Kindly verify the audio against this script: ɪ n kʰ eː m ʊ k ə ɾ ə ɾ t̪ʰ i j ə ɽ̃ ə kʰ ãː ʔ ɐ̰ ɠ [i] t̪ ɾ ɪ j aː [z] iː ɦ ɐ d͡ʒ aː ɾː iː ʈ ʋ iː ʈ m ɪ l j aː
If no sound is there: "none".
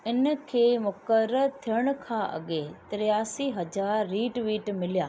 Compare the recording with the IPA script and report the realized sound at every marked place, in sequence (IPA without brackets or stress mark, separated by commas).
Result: e, s